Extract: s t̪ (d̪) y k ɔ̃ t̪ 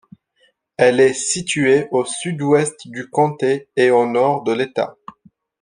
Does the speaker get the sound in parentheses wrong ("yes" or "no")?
no